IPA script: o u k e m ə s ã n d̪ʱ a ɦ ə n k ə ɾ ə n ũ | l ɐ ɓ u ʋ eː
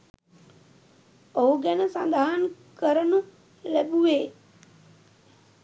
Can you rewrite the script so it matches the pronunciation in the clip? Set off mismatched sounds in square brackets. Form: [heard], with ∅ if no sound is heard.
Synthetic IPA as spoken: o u [ɡ] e [n] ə s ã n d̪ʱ a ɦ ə n k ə ɾ ə n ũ | l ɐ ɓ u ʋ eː